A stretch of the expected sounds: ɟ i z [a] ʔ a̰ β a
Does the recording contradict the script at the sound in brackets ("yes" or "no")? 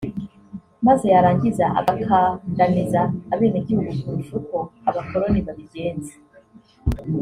no